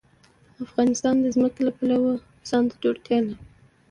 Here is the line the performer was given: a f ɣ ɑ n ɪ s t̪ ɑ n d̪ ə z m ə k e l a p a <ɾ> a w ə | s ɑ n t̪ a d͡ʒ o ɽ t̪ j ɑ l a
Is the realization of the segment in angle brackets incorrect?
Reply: yes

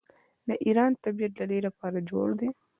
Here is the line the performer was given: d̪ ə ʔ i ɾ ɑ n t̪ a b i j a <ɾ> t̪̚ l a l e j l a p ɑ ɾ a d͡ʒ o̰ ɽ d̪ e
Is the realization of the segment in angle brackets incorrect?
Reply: yes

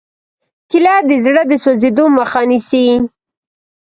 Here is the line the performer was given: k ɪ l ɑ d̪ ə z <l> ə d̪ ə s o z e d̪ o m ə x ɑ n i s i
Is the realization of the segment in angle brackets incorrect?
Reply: yes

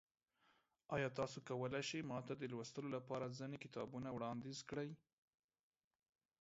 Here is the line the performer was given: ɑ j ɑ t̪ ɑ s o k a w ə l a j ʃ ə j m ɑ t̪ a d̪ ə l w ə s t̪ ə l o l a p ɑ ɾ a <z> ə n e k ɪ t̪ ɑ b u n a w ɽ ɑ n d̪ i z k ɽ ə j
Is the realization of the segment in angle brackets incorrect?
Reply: no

